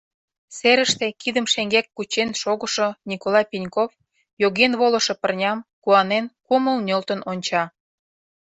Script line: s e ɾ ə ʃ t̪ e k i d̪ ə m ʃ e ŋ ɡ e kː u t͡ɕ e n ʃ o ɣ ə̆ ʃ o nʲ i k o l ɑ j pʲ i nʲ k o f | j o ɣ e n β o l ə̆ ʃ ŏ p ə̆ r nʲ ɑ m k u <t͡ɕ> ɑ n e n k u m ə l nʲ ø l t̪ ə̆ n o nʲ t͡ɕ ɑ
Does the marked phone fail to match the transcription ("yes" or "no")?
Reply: yes